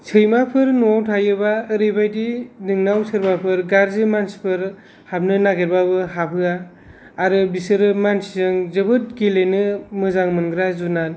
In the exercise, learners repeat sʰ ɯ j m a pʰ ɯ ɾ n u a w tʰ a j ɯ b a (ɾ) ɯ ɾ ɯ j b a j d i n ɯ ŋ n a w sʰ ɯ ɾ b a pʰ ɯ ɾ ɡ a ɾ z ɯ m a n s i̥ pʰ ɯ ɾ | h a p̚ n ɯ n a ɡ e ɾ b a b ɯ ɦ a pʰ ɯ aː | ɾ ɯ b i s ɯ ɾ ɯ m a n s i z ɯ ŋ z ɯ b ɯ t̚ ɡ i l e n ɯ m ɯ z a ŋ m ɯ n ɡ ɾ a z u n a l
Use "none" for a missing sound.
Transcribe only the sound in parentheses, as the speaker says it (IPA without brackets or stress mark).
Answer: none